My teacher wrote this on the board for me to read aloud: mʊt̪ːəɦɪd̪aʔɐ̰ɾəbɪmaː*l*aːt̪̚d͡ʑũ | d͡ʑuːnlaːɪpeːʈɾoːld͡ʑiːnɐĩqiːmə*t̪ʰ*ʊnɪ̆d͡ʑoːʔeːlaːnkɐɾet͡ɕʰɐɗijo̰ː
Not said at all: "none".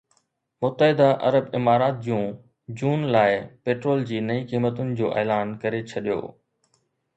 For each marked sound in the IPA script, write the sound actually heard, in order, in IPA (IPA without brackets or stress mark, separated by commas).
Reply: ɾ, t̪